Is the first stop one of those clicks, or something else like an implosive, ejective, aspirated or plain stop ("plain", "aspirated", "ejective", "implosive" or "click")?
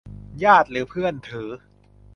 plain